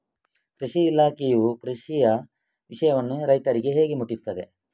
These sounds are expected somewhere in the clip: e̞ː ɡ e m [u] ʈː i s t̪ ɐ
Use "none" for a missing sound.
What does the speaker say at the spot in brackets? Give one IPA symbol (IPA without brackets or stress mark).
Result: u